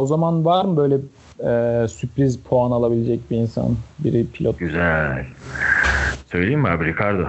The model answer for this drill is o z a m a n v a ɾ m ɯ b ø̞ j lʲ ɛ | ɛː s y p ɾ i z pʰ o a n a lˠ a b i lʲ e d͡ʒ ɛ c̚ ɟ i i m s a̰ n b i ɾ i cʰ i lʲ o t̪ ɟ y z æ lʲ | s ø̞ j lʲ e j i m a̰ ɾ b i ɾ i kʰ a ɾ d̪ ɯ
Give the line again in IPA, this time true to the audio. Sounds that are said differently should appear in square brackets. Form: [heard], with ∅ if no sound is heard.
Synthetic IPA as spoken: o z a m a n v a ɾ m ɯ b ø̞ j lʲ ɛ | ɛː s y p ɾ i z pʰ o a n a lˠ a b i lʲ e d͡ʒ ɛ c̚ [b] i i [n] s a̰ n b i ɾ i [pʰ] i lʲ o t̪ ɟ y z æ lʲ | s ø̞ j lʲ e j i m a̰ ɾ b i ɾ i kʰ a ɾ d̪ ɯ